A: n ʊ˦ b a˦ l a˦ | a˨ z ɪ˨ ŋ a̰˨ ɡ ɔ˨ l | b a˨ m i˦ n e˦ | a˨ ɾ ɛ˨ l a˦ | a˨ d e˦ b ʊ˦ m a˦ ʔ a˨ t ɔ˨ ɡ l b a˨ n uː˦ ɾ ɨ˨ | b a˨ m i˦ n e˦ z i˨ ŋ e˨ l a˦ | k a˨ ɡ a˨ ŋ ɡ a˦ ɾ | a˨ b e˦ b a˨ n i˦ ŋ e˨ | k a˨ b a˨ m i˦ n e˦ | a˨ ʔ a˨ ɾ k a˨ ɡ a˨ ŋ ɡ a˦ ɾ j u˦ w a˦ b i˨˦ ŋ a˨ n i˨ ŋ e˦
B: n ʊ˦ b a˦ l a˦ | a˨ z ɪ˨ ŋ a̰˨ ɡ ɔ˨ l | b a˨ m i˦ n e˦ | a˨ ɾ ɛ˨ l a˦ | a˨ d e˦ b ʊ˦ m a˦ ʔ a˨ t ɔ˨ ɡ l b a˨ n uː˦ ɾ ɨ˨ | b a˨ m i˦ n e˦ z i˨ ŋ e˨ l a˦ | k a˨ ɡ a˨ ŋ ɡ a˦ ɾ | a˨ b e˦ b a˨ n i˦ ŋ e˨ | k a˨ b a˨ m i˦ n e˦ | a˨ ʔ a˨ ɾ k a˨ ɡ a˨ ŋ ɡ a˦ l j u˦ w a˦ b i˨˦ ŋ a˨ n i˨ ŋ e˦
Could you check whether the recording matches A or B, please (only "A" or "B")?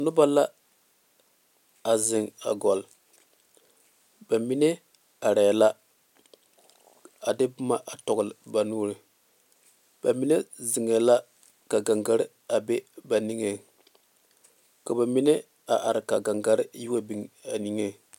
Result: A